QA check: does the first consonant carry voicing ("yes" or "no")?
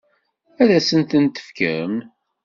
yes